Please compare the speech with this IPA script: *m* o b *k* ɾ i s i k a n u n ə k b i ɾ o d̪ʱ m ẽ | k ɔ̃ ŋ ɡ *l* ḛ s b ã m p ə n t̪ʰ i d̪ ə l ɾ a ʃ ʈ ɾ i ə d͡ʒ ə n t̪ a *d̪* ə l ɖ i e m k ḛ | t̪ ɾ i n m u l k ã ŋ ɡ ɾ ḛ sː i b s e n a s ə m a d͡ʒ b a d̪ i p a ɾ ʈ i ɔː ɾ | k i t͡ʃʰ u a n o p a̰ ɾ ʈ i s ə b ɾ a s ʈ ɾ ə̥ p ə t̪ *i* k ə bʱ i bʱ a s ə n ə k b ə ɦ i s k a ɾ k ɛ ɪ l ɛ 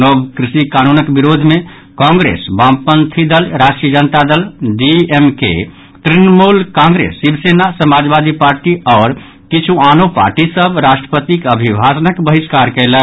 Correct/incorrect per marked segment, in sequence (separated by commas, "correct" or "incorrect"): incorrect, correct, incorrect, correct, correct